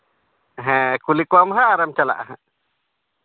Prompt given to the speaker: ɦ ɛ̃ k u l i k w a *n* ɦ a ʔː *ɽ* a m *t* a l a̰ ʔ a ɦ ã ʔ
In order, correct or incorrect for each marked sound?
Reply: incorrect, incorrect, incorrect

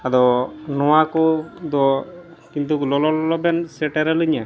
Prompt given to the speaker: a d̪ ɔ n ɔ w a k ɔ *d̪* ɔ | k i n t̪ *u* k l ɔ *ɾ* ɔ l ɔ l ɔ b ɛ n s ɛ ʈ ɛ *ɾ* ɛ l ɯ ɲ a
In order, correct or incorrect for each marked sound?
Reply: correct, correct, incorrect, correct

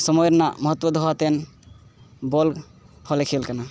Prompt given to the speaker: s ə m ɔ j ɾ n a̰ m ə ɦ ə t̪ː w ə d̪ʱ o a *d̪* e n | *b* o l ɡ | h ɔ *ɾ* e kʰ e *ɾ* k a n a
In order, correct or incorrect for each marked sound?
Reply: incorrect, correct, incorrect, incorrect

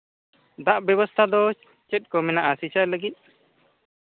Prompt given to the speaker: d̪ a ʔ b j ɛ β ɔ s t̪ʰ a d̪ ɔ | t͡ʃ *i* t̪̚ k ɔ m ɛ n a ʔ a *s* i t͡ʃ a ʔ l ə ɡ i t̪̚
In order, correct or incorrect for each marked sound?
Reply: incorrect, correct

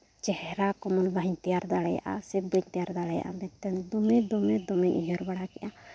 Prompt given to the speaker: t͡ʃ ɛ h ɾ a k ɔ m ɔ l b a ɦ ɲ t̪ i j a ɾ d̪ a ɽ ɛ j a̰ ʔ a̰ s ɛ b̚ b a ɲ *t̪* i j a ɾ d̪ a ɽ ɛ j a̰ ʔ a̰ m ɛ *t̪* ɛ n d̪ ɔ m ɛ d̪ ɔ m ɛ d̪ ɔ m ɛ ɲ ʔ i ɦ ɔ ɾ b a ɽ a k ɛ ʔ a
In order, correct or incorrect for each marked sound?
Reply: correct, correct

